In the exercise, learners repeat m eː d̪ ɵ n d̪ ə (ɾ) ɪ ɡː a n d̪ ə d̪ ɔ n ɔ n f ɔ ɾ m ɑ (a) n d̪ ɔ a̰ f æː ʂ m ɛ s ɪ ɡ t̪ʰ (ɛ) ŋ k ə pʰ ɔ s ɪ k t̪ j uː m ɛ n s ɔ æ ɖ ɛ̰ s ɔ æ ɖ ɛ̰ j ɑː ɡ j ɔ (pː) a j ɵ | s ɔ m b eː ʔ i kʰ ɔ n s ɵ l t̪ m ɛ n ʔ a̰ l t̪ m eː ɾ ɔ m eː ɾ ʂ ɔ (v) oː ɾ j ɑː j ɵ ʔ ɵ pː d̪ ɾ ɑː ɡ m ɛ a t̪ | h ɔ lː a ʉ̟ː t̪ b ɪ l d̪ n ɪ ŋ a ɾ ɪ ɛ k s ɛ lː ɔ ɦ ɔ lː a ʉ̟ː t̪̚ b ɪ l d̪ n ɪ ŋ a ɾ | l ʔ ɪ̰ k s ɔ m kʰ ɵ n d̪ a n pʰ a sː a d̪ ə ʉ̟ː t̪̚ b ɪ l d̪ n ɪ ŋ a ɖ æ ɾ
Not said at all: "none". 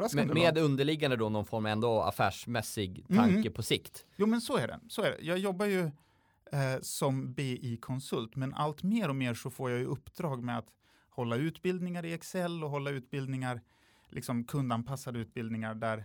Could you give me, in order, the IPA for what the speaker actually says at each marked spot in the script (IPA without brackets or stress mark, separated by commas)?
ɭ, ɛ, a, bː, f